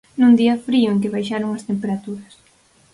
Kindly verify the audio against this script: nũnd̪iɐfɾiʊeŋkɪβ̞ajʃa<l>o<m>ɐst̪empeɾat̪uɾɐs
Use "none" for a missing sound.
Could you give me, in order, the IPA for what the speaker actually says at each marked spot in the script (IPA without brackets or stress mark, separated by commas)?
ɾ, ŋ